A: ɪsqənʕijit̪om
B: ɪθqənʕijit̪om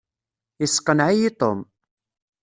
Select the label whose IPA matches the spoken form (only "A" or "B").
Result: A